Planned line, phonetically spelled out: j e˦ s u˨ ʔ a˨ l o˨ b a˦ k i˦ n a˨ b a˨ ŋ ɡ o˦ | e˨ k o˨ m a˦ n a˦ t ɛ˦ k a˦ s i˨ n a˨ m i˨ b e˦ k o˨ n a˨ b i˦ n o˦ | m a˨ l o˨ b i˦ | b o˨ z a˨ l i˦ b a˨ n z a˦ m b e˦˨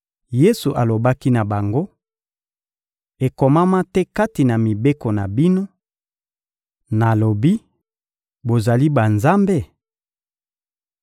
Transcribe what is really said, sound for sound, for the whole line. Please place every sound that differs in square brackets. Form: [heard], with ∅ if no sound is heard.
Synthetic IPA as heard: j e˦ s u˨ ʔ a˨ l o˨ b a˦ k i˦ n a˨ b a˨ ŋ ɡ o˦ | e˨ k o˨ m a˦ [m] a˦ t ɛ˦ k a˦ [t] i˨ n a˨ m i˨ b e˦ k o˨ n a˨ b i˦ n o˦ | [n] a˨ l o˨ b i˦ | b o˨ z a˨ l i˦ b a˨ n z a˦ m b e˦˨